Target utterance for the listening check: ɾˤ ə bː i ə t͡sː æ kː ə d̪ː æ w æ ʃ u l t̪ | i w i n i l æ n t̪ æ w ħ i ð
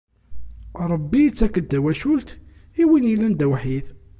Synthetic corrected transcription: ɾˤ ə bː i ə t͡sː æ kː ə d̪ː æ w æ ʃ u l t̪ | i w i n i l æ n d̪ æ w ħ i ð